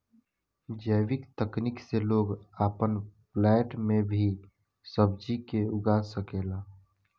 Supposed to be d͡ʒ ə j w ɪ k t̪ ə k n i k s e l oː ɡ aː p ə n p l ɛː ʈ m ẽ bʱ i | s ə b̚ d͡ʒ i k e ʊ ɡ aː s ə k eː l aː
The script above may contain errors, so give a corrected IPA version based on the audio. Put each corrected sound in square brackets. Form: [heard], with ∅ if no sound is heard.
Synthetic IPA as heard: d͡ʒ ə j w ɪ k t̪ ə k n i k s e l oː ɡ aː p ə n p l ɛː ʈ m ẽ bʱ i | s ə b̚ d͡ʒ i k e ʊ ɡ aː s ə k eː l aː